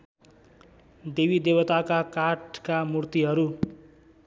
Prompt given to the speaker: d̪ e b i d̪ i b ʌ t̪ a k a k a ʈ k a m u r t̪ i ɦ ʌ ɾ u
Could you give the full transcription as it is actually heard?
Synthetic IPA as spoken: d̪ e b i d̪ e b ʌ t̪ a k a k a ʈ k a m u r t̪ i ɦ ʌ ɾ u